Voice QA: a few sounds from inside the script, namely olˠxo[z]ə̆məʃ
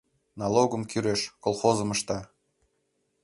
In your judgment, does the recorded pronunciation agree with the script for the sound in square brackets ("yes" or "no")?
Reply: yes